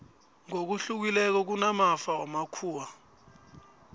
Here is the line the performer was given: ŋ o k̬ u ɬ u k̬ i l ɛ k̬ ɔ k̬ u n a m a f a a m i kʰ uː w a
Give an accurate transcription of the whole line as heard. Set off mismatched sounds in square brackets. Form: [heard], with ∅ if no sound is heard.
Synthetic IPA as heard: ŋ o k̬ u ɬ u k̬ i l ɛ k̬ ɔ k̬ u n a m a f a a m [a] kʰ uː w a